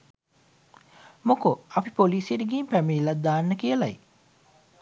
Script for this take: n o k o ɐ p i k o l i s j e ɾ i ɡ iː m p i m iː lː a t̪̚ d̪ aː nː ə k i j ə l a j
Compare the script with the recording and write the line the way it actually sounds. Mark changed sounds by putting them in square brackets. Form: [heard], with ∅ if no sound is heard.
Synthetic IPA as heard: [m] o k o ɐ p i [p] o l [iː] s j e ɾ i ɡ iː m p [æ] m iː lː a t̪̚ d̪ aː nː ə k i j ə l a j